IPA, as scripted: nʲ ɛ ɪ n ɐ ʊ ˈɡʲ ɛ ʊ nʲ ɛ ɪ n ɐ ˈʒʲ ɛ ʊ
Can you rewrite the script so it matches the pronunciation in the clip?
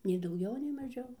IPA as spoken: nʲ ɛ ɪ d ɐ ʊ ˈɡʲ ɛ ʊ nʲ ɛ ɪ m ɐ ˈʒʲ ɛ ʊ